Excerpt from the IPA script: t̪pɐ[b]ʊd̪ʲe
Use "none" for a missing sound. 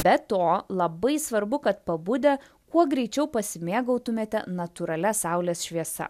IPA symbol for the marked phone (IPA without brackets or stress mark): b